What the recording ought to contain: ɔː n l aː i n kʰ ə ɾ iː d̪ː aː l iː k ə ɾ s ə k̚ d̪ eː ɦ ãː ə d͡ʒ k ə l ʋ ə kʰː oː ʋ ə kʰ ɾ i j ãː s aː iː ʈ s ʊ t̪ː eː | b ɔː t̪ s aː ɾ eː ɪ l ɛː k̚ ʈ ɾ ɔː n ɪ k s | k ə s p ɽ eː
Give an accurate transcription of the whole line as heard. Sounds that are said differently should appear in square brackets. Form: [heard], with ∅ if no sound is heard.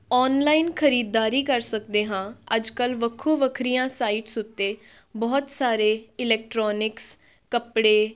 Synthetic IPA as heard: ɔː n l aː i n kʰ ə ɾ iː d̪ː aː [ɾ] iː k ə ɾ s ə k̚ d̪ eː ɦ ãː ə d͡ʒ k ə l ʋ ə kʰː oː ʋ ə kʰ ɾ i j ãː s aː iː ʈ s ʊ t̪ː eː | b ɔː t̪ s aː ɾ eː ɪ l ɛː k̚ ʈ ɾ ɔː n ɪ k s | k ə [∅] p ɽ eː